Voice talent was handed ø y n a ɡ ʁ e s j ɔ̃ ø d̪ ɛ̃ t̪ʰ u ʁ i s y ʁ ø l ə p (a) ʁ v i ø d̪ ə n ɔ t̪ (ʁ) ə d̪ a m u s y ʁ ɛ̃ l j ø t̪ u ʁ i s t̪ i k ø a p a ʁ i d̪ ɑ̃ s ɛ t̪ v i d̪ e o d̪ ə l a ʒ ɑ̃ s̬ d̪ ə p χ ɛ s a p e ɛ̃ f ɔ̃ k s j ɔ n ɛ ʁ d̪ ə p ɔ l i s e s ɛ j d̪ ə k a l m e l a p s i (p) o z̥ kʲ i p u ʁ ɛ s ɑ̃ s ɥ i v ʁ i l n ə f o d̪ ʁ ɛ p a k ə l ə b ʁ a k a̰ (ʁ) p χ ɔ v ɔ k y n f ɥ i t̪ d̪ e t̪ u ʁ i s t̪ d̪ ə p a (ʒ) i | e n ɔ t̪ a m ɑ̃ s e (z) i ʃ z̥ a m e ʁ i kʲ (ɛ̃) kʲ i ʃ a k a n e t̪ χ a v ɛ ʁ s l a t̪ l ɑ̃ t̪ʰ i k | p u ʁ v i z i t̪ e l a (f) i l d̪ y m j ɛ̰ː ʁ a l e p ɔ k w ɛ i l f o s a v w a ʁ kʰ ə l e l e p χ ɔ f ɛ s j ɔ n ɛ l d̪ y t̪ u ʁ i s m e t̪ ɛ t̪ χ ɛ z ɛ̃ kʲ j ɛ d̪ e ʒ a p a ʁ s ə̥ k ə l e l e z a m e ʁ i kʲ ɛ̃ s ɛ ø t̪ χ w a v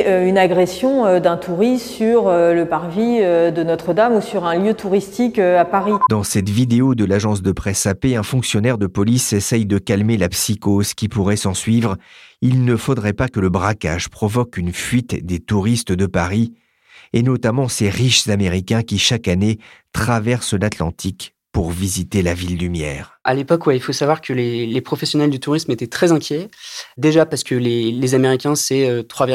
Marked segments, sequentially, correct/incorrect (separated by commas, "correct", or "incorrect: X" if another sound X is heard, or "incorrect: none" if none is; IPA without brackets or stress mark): correct, incorrect: χ, incorrect: k, incorrect: ʒ, incorrect: ʁ, incorrect: ʁ, correct, incorrect: v